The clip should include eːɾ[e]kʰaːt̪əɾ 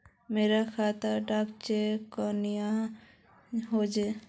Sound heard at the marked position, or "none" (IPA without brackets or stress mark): a